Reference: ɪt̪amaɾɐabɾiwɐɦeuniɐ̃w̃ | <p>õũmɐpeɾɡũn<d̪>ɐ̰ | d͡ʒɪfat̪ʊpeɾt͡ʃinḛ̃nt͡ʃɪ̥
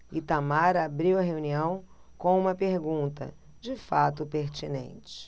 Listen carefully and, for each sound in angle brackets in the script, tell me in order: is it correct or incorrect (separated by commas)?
incorrect, incorrect